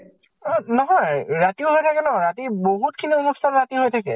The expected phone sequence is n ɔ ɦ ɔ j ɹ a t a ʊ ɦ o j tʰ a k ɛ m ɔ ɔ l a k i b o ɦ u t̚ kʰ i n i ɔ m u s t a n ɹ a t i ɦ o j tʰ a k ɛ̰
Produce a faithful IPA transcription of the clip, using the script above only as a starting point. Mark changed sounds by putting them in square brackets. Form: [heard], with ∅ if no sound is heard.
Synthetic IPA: n ɔ ɦ ɔ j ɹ a t [i] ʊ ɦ o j tʰ a k ɛ [n] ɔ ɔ [ɹ] a [t] i b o ɦ u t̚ kʰ i n i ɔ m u s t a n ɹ a t i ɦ o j tʰ a k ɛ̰